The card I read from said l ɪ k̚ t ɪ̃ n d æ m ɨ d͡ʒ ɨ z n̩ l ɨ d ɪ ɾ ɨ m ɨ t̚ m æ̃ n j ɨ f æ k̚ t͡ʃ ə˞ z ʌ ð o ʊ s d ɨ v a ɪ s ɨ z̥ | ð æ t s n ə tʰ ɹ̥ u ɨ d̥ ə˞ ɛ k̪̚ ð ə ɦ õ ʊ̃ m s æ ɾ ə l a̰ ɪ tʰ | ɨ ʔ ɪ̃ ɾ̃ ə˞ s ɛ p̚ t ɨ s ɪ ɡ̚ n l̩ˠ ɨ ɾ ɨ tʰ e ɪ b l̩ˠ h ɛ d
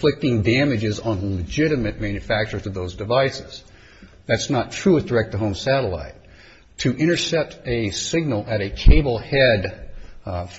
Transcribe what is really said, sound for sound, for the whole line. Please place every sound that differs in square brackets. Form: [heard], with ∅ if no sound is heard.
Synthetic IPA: l ɪ k̚ t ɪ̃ [ŋ] d æ m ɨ d͡ʒ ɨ z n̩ l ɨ [d͡ʒ] ɪ ɾ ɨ m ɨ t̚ m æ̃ n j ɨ f æ k̚ t͡ʃ ə˞ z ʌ ð o ʊ [z] d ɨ v a ɪ s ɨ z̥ | ð æ t s n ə tʰ ɹ̥ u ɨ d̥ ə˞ ɛ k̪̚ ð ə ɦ õ ʊ̃ m s æ ɾ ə l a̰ ɪ tʰ | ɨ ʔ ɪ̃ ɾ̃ ə˞ s ɛ p̚ t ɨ s ɪ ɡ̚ n l̩ˠ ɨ ɾ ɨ [kʰ] e ɪ b l̩ˠ h ɛ d